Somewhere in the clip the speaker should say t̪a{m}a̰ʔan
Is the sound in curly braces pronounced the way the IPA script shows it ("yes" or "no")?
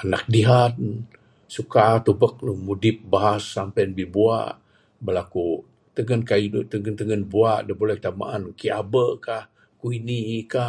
yes